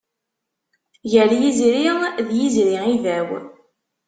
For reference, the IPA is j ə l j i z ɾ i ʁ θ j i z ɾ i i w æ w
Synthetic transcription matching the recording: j ə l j i z ɾ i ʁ ð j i z ɾ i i v æ w